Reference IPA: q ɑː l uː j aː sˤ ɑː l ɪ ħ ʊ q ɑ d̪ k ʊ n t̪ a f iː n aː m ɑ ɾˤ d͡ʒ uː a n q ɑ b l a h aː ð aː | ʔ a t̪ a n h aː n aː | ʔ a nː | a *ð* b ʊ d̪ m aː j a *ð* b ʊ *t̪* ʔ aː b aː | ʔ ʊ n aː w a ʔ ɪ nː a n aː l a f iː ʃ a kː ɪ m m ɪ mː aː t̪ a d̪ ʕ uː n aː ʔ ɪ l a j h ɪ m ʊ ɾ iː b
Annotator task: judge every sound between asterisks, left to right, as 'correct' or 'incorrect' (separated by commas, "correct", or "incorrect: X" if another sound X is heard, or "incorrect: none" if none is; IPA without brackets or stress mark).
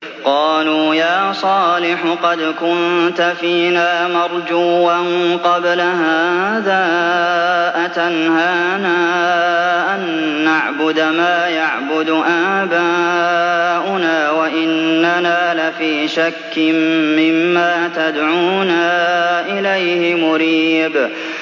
incorrect: ʕ, incorrect: ʕ, incorrect: d̪